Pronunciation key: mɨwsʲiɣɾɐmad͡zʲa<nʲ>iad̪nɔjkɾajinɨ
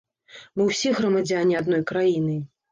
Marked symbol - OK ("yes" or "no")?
yes